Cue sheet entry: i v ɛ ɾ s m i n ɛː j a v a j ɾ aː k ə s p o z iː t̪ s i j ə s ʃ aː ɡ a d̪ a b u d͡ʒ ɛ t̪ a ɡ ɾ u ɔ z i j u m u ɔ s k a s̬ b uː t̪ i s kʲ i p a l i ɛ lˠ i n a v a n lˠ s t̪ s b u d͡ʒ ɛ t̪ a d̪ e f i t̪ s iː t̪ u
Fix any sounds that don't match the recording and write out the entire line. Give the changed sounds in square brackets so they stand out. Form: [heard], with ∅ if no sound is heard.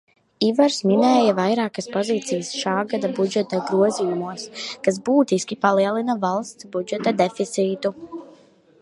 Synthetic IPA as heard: i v [a] ɾ s m i n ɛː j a v a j ɾ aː k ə s p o z iː t̪ s i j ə s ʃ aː ɡ a d̪ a b u d͡ʒ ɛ t̪ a ɡ ɾ u ɔ z i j u m u ɔ s k a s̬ b uː t̪ i s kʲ i p a l i ɛ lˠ i n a v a [∅] lˠ s t̪ s b u d͡ʒ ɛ t̪ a d̪ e f i t̪ s iː t̪ u